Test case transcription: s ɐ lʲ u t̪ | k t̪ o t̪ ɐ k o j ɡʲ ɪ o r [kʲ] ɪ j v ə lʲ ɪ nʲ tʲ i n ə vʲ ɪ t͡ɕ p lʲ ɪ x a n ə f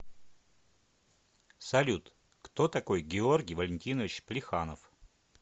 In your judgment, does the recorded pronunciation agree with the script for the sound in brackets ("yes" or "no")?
no